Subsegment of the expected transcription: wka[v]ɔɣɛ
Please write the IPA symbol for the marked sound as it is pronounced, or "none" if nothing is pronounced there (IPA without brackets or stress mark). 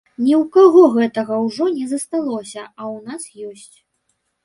ɣ